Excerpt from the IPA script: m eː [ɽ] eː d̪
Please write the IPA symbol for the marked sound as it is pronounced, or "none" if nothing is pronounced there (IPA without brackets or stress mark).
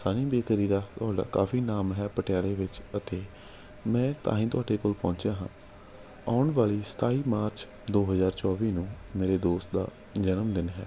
ɾ